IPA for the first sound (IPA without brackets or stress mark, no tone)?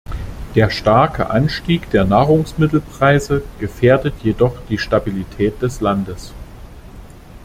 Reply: d̥